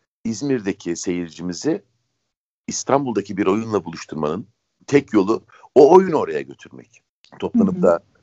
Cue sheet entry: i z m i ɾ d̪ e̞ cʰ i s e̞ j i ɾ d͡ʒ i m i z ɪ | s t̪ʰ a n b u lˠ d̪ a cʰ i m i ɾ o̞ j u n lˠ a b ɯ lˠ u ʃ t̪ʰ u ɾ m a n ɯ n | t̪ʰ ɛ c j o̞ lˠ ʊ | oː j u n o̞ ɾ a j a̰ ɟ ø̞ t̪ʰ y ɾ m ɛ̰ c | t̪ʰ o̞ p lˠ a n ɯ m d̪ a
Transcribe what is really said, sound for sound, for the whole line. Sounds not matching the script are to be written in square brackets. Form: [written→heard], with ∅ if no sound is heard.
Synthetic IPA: i z m i ɾ d̪ e̞ cʰ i s e̞ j i ɾ d͡ʒ i m i z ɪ | s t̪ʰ a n b u lˠ d̪ a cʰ i [m→b] i ɾ o̞ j u n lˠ a b [ɯ→u] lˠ u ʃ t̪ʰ u ɾ m a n ɯ n | t̪ʰ ɛ c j o̞ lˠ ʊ | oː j u n o̞ ɾ a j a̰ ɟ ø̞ t̪ʰ y ɾ m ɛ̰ c | t̪ʰ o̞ p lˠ a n ɯ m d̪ a